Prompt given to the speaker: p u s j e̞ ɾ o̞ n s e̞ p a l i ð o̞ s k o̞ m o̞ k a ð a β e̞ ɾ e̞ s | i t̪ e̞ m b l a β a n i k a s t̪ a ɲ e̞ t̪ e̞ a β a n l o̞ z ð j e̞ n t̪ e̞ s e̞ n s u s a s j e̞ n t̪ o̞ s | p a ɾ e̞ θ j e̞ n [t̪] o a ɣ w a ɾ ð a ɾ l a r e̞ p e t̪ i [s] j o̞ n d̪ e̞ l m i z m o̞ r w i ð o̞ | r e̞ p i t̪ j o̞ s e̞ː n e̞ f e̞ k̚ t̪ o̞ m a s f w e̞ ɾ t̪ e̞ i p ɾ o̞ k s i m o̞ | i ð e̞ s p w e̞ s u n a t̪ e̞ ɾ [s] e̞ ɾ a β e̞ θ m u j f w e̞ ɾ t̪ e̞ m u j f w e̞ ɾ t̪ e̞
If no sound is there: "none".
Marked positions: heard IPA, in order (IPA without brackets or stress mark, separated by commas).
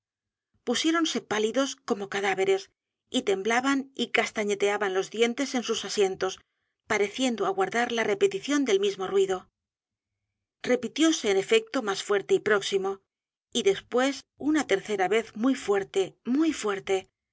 d̪, θ, θ